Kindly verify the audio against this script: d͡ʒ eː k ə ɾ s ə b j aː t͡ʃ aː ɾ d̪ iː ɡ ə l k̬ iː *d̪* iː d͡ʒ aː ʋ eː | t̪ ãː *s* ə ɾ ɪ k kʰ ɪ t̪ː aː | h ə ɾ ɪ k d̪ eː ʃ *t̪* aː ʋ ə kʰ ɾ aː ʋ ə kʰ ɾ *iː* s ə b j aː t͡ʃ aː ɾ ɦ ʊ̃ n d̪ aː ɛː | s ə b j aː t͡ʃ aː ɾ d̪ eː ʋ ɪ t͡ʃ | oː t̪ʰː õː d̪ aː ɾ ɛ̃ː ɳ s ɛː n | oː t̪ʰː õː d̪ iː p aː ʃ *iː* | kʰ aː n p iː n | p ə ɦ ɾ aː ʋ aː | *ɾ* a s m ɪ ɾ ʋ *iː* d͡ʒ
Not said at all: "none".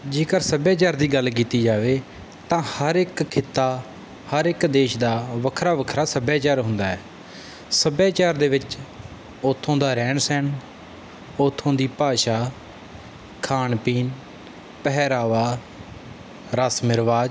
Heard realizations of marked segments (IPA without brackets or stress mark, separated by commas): t̪, h, d̪, aː, aː, ɾ, aː